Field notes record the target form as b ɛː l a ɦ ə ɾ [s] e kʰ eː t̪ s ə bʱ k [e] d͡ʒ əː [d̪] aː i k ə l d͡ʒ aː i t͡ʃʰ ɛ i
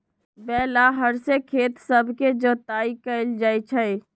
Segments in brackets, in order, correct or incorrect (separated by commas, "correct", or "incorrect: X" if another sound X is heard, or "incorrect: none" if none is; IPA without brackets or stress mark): correct, correct, incorrect: t̪